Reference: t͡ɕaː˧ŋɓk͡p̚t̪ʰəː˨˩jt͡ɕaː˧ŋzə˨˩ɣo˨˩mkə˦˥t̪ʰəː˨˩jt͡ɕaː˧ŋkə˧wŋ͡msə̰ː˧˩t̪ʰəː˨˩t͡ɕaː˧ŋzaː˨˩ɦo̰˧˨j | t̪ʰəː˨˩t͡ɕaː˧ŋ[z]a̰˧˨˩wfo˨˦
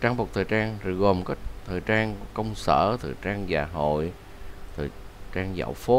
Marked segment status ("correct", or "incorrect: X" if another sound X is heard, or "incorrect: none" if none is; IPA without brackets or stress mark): correct